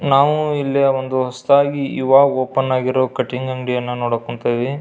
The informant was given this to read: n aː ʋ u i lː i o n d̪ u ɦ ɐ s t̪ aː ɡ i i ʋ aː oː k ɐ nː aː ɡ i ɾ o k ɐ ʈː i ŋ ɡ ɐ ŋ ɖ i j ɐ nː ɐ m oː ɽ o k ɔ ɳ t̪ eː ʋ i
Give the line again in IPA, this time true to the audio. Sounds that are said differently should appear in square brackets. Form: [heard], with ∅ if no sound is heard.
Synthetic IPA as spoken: n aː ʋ u i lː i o n d̪ u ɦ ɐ s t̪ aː ɡ i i ʋ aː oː [p] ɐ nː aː ɡ i ɾ o k ɐ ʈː i ŋ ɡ ɐ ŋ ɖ i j ɐ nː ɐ [n] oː ɽ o k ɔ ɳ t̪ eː ʋ i